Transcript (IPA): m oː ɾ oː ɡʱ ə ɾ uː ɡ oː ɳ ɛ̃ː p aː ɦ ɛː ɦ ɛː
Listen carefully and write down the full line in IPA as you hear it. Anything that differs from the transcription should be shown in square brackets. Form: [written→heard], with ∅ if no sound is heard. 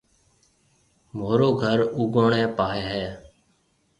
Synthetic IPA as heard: m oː ɾ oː ɡʱ ə ɾ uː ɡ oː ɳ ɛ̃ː p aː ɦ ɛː ɦ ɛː